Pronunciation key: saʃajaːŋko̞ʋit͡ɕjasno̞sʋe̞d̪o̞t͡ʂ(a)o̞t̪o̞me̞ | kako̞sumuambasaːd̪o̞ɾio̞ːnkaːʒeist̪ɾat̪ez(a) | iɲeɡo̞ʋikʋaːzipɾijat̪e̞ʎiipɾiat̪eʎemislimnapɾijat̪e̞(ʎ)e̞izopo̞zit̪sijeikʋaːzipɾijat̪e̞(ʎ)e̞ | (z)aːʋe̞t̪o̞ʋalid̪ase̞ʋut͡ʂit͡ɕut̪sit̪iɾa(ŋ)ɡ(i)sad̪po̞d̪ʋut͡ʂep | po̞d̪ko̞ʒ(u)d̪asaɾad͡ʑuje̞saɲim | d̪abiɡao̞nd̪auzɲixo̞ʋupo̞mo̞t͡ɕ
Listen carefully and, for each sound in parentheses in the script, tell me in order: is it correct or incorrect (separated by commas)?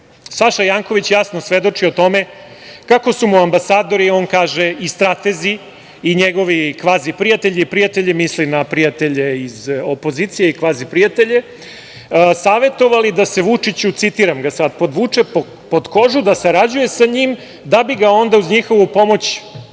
incorrect, incorrect, correct, correct, incorrect, incorrect, incorrect, correct